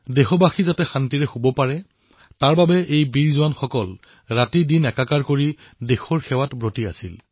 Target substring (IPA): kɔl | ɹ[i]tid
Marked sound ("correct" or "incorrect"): incorrect